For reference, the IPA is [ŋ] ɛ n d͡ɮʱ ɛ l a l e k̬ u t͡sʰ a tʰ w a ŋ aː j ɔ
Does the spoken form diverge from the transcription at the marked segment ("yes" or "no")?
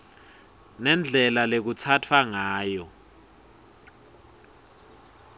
yes